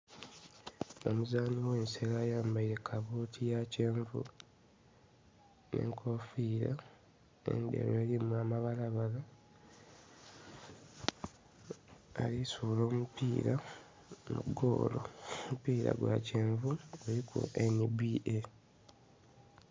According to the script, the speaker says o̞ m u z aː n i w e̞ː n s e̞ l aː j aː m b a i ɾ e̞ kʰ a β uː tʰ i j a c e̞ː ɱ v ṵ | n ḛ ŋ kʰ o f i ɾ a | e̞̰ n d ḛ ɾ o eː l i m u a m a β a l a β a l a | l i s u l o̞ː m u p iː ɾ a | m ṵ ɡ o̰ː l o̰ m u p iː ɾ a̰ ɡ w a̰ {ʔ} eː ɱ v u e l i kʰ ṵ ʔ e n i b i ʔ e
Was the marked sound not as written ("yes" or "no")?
yes